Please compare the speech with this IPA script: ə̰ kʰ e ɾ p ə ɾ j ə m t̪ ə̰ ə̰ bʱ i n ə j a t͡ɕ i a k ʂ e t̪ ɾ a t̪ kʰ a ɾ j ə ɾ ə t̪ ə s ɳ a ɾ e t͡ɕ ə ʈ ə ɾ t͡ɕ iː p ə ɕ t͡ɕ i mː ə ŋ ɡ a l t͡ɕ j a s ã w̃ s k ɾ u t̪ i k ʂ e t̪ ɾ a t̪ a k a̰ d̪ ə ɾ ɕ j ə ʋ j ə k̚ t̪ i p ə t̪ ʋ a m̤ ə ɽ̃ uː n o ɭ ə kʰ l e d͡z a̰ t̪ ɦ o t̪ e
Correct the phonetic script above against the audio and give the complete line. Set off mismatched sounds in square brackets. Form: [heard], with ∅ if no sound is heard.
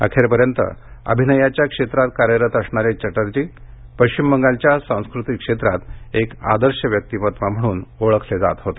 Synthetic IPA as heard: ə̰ kʰ e ɾ p ə ɾ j ə [n] t̪ ə̰ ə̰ bʱ i n ə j a t͡ɕ [j] a k ʂ e t̪ ɾ a t̪ [k] a ɾ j ə ɾ ə t̪ ə s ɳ a ɾ e t͡ɕ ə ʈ ə ɾ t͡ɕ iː p ə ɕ t͡ɕ i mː ə ŋ ɡ a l t͡ɕ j a s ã w̃ s k ɾ u t̪ i k ʂ e t̪ ɾ a t̪ [e] k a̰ d̪ ə ɾ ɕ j ə ʋ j ə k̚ t̪ i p ə t̪ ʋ a m̤ ə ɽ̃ uː n o ɭ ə kʰ l e d͡z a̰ t̪ ɦ o t̪ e